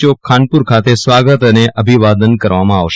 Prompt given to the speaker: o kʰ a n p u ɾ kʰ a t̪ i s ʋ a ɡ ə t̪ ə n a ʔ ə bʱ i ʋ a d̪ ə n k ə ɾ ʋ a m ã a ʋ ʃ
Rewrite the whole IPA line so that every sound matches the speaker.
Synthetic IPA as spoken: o kʰ a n p u ɾ kʰ a t̪ e s ʋ a ɡ ə t̪ ə n e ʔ ə bʱ i ʋ a d̪ ə n k ə ɾ ʋ a m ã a ʋ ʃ